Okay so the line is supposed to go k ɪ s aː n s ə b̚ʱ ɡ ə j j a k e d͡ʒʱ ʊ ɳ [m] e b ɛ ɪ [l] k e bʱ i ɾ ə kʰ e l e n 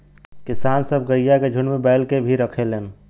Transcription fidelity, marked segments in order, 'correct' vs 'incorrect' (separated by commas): correct, correct